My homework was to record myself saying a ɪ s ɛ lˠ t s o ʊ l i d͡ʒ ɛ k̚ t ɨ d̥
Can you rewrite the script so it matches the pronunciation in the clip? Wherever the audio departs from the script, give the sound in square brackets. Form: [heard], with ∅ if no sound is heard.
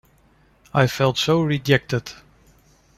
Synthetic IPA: a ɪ [f] ɛ lˠ t s o ʊ [ɹ] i d͡ʒ ɛ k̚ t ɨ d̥